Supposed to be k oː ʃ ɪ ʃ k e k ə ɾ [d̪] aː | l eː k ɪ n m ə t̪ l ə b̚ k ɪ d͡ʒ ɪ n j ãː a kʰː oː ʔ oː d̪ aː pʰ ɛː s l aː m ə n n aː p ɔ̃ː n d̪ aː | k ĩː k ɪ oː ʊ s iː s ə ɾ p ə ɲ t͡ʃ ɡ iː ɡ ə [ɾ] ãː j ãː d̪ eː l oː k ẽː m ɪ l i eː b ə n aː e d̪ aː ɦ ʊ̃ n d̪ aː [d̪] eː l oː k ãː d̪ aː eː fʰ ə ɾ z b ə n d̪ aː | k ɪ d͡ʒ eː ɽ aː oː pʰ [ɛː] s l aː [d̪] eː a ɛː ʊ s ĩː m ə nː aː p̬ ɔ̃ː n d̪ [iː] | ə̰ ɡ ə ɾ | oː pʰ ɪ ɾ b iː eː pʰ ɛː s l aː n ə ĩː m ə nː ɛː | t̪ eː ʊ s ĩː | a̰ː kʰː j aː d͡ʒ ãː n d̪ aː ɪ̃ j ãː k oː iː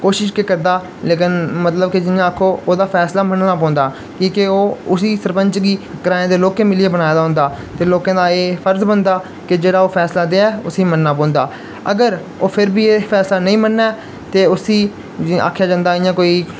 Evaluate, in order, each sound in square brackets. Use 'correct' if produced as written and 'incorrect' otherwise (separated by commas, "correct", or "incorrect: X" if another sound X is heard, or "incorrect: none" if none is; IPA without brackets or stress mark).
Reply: correct, correct, incorrect: t̪, correct, correct, incorrect: aː